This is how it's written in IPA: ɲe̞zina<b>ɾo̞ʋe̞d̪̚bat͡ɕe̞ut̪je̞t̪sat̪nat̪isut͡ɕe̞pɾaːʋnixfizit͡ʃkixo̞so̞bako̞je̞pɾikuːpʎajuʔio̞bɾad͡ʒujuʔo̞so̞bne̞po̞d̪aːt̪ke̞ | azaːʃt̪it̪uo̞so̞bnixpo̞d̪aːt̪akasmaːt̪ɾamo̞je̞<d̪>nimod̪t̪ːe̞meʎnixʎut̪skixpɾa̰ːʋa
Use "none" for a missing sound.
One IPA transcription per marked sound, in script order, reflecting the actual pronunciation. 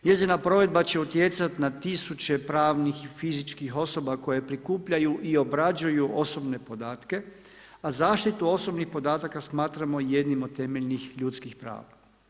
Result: p, d̪

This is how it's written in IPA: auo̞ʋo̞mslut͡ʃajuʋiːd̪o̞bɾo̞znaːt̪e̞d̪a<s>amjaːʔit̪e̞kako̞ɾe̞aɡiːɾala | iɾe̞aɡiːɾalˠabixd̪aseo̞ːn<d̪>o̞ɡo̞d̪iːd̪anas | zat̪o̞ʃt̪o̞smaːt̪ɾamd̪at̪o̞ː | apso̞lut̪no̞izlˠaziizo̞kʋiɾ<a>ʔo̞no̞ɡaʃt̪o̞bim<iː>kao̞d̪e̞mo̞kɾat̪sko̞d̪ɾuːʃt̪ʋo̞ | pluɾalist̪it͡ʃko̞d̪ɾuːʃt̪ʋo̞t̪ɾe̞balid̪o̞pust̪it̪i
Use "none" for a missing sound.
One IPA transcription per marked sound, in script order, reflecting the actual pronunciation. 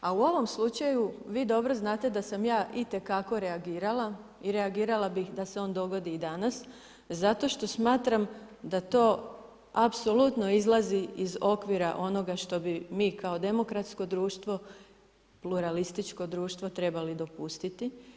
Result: s, d̪, a, iː

